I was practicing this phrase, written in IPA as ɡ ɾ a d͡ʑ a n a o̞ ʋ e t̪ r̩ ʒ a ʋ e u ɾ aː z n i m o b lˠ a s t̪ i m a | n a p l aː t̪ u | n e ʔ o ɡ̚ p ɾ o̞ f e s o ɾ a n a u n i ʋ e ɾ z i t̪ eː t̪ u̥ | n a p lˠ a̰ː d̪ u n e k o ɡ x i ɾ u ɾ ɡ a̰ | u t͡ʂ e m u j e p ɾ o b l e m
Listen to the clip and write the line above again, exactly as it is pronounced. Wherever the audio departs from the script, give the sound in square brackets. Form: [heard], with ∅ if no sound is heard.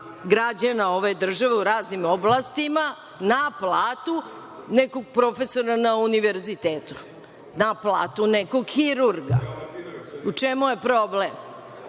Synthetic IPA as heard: ɡ ɾ a d͡ʑ a n a o̞ ʋ e [d̪] r̩ ʒ a ʋ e u ɾ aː z n i m o b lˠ a s t̪ i m a | n a p l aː t̪ u | n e [k] o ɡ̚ p ɾ o̞ f e s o ɾ a n a u n i ʋ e ɾ z i t̪ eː t̪ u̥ | n a p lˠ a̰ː [t̪] u n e k o ɡ x i ɾ u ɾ ɡ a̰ | u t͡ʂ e m u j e p ɾ o b l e m